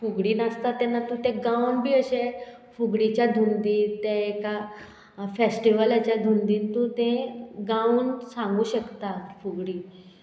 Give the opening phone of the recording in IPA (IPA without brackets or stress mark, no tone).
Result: f